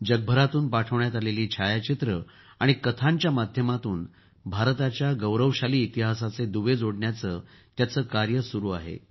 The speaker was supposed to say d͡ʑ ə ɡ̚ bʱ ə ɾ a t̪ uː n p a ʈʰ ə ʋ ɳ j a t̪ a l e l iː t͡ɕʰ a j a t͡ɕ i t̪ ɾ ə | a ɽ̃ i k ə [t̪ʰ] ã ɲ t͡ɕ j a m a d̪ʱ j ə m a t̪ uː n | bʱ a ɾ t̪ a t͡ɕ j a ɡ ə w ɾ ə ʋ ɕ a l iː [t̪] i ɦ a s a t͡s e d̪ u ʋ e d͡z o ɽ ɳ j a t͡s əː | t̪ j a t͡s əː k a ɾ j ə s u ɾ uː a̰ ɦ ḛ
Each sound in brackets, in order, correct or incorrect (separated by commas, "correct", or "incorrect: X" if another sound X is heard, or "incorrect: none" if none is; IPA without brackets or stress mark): correct, correct